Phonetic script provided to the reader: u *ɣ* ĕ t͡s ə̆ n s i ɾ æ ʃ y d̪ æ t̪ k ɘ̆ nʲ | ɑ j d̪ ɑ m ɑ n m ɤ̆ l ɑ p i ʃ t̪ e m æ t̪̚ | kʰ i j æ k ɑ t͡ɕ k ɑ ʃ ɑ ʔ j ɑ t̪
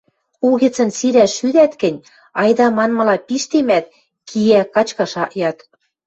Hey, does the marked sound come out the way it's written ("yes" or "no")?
yes